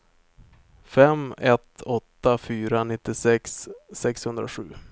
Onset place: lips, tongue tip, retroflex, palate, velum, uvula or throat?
lips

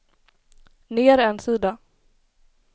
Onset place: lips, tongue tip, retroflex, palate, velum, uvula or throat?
tongue tip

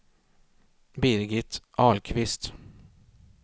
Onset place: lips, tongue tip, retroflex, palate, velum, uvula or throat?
lips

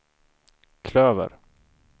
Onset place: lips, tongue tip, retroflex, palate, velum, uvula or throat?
velum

